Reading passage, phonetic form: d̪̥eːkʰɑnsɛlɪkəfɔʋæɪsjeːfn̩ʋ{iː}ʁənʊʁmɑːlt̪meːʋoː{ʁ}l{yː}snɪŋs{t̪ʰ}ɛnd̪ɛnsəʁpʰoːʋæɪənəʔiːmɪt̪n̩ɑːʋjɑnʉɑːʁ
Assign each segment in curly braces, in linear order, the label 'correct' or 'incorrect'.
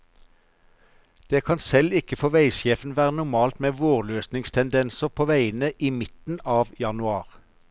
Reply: incorrect, correct, incorrect, correct

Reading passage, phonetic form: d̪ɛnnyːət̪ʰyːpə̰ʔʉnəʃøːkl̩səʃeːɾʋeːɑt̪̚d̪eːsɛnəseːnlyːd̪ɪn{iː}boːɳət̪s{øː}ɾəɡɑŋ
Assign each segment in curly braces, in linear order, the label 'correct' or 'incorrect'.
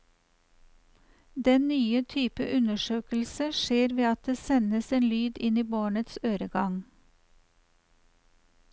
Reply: correct, correct

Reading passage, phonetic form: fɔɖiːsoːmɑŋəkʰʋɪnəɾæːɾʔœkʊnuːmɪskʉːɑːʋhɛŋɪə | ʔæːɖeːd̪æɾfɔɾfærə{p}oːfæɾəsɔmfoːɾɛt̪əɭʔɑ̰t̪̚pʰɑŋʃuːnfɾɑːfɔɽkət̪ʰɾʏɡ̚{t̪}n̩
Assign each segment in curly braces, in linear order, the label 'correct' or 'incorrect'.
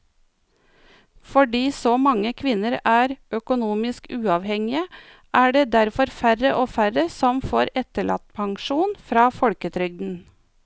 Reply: incorrect, incorrect

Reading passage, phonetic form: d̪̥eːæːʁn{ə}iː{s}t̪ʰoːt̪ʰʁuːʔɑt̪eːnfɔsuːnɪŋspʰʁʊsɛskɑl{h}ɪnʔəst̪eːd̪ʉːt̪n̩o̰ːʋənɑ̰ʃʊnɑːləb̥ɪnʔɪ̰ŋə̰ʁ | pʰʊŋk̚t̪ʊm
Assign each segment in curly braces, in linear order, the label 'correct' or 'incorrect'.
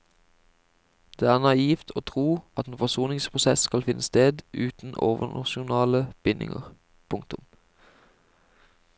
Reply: incorrect, incorrect, incorrect

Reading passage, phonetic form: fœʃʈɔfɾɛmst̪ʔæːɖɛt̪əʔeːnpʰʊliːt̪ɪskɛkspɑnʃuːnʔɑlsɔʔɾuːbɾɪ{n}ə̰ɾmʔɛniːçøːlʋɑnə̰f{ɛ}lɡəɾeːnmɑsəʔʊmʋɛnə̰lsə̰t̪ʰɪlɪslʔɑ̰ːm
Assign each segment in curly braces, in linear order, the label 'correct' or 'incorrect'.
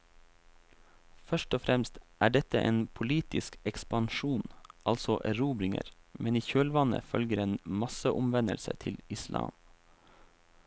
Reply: incorrect, incorrect

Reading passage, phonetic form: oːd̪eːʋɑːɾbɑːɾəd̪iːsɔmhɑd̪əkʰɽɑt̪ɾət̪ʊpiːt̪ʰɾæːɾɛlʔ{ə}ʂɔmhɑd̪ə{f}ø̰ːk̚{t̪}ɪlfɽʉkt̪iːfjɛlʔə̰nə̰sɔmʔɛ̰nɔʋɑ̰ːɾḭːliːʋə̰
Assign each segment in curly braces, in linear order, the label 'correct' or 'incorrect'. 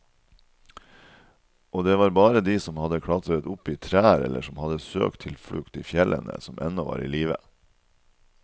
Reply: correct, incorrect, incorrect

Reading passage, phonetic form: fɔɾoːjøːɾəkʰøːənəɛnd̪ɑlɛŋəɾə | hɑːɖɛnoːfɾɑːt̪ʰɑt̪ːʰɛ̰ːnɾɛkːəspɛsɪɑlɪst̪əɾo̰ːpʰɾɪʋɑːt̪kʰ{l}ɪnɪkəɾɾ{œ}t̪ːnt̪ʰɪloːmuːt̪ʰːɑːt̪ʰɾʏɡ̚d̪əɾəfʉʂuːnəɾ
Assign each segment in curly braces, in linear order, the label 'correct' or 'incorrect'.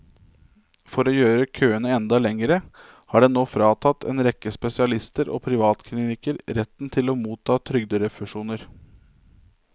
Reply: correct, incorrect

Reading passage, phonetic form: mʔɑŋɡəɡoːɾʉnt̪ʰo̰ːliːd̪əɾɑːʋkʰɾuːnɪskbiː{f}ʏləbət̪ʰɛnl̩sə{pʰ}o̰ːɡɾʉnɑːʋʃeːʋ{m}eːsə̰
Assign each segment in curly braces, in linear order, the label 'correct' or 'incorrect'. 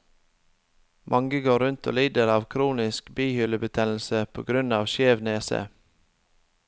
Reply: incorrect, correct, incorrect

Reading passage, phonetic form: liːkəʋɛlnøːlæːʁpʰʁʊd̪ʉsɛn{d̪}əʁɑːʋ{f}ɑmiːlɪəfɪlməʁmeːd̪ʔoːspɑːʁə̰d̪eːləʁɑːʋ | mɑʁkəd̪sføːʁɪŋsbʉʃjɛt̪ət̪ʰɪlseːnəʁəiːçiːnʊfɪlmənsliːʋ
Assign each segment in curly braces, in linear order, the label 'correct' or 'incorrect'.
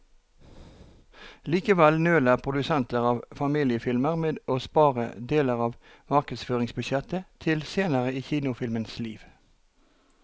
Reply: incorrect, correct

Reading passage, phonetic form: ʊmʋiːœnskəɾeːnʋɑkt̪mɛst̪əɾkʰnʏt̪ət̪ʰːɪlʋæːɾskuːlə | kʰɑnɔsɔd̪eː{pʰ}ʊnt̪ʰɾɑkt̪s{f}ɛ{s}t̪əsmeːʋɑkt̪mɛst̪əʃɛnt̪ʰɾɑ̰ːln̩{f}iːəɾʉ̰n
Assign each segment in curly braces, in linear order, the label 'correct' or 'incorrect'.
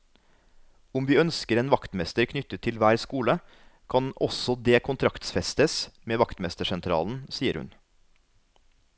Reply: incorrect, correct, correct, incorrect

